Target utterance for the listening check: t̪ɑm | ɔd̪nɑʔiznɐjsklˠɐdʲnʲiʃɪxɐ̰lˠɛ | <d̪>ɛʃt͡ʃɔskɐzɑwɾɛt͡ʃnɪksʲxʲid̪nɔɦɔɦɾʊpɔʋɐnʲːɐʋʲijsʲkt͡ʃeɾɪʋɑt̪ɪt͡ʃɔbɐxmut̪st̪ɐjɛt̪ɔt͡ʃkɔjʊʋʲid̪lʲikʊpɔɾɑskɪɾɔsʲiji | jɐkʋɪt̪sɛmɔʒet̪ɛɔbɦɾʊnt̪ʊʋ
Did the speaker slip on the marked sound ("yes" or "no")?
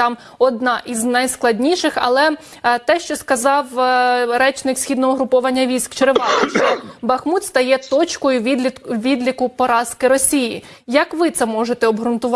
yes